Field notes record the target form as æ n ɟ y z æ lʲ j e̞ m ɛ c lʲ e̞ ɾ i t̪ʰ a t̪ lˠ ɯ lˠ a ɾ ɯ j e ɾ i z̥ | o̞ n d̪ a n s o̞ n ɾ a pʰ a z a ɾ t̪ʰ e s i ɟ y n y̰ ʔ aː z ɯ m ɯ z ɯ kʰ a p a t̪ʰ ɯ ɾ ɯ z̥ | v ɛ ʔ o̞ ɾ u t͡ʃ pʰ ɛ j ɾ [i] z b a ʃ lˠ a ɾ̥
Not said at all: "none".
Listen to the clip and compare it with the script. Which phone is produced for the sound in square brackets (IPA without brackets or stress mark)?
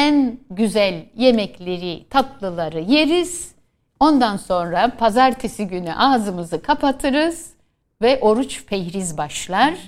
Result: i